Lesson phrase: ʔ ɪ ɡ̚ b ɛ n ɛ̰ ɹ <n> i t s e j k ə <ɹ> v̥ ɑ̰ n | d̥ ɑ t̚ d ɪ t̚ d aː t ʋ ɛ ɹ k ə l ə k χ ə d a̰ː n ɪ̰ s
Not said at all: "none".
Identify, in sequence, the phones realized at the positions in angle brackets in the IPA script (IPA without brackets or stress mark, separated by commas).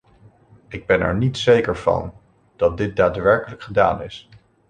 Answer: n, ɹ